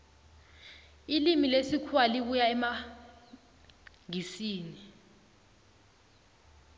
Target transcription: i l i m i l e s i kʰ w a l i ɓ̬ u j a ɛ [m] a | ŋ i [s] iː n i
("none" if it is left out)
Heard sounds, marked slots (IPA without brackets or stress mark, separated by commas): m, s